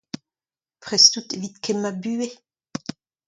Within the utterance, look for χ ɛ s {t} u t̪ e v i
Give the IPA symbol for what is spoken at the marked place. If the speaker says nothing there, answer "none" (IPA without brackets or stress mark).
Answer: t